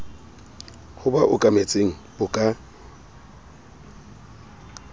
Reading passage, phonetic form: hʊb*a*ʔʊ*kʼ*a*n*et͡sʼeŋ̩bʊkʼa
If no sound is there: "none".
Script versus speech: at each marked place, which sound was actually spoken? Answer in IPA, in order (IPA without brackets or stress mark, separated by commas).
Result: a, kʼ, m